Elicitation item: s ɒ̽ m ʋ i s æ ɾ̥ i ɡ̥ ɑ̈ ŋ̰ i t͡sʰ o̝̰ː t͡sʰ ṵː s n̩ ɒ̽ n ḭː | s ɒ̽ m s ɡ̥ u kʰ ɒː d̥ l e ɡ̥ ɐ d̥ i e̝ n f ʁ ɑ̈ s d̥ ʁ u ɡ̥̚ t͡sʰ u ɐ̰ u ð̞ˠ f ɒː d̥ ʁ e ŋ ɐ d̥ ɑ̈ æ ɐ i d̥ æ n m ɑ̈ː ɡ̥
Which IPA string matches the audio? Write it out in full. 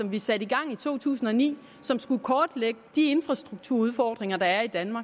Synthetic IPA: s ɒ̽ m ʋ i s æ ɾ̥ i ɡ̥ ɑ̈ ŋ̰ i t͡sʰ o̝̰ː t͡sʰ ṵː s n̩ ɒ̽ n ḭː | s ɒ̽ m s ɡ̥ u kʰ ɒː d̥ l e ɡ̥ ə d̥ i e̝ n f ʁ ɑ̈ s d̥ ʁ u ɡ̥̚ t͡sʰ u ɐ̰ u ð̞ˠ f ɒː d̥ ʁ e ŋ ɐ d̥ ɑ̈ æ ɐ i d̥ æ n m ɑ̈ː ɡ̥